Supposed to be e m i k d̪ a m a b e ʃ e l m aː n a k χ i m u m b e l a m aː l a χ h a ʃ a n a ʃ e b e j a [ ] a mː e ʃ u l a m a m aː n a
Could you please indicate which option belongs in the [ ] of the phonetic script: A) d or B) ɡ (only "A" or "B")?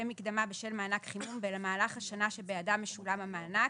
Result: A